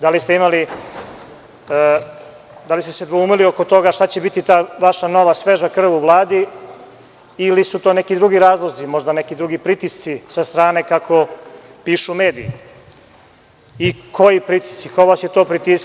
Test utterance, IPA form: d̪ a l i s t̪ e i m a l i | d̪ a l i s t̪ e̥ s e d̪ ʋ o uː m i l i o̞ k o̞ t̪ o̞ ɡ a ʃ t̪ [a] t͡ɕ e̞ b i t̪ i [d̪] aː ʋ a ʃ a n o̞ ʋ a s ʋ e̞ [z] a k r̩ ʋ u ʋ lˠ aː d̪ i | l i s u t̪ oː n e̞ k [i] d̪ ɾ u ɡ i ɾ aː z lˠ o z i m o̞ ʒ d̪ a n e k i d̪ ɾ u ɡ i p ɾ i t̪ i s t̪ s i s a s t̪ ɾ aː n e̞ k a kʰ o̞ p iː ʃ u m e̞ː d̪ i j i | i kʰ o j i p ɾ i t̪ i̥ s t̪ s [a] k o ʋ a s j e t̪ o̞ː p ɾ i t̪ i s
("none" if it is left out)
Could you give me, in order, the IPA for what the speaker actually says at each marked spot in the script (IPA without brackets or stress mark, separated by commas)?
a, t̪, ʒ, i, i